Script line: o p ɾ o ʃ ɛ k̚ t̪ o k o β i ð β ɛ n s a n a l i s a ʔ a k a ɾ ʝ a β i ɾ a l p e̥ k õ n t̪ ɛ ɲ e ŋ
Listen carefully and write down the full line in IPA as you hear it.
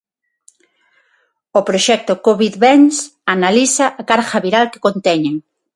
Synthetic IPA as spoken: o p ɾ o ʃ ɛ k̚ t̪ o k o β i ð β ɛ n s a n a l i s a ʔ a k a ɾ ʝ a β i ɾ a l k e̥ k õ n t̪ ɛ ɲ e ŋ

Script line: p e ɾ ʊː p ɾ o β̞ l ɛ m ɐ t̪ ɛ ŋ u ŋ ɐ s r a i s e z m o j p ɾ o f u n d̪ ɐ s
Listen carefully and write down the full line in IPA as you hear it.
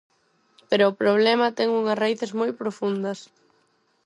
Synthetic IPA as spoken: p e ɾ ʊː p ɾ o β̞ l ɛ m ɐ t̪ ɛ ŋ u ŋ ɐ s r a i θ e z m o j p ɾ o f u n d̪ ɐ s

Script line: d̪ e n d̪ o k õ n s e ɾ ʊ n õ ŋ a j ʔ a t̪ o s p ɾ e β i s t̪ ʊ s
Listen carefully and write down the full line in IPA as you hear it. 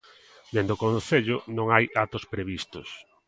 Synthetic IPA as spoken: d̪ e n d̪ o k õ n θ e ʎ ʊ n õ ŋ a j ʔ a t̪ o s p ɾ e β i s t̪ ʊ s

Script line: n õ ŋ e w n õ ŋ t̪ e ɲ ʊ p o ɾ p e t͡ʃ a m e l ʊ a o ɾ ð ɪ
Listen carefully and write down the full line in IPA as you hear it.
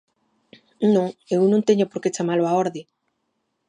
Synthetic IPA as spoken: n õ ŋ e w n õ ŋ t̪ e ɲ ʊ p o ɾ k e t͡ʃ a m a l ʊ a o ɾ ð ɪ

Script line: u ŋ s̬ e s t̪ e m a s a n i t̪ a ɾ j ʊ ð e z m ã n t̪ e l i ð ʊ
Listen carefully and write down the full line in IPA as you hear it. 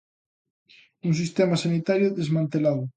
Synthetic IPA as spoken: u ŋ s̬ i s t̪ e m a s a n i t̪ a ɾ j ʊ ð e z m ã n t̪ e l a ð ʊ

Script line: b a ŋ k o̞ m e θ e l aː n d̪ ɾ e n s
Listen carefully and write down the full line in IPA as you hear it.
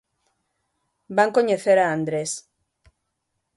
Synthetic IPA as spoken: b a ŋ k o̞ ɲ e θ e ɾ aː n d̪ ɾ e s

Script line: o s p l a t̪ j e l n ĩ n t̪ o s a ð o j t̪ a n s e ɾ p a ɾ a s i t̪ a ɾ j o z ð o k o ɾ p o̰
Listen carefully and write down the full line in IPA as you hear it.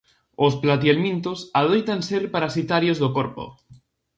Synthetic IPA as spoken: o s p l a t̪ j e l m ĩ n t̪ o s a ð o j t̪ a n s e ɾ p a ɾ a s i t̪ a ɾ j o z ð o k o ɾ p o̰

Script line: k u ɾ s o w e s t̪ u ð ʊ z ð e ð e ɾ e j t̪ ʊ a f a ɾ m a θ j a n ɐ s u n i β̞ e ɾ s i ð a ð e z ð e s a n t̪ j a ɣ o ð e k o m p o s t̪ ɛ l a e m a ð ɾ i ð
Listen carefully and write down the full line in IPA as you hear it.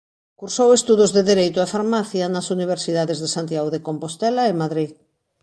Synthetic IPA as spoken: k u ɾ s o w e s t̪ u ð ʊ z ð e ð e ɾ e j t̪ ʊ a f a ɾ m a θ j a n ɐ s u n i β̞ e ɾ s i ð a ð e z ð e s a n t̪ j a ɣ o ð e k o m p o s t̪ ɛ l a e m a ð ɾ i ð

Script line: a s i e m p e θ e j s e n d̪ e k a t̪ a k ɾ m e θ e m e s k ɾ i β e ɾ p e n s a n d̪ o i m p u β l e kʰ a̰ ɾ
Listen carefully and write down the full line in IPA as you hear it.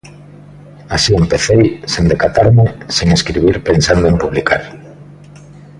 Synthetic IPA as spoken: a s i e m p e θ e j s e n d̪ e k a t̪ a ɾ m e s e ŋ e s k ɾ i β i ɾ p e n s a n d̪ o e m p u β l i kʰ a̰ ɾ

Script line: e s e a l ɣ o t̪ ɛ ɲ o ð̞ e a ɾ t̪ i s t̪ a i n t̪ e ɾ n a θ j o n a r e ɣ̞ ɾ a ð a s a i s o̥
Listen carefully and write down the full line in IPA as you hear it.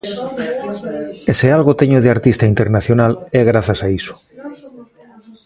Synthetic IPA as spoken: e s e a l ɣ o t̪ e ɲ o ð̞ e a ɾ t̪ i s t̪ a i n t̪ e ɾ n a θ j o n a l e ɣ̞ ɾ a θ a s a i s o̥

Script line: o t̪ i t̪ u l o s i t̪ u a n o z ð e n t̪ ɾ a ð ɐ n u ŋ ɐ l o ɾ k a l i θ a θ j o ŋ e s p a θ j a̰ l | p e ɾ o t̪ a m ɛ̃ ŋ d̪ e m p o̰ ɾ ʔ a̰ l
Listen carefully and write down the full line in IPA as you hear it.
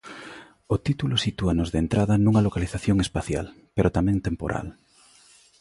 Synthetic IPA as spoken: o t̪ i t̪ u l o s i t̪ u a n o z ð e n t̪ ɾ a ð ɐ n u ŋ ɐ l o k a l i θ a θ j o ŋ e s p a θ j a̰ l | p e ɾ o t̪ a m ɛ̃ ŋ t̪ e m p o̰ ɾ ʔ a̰ l

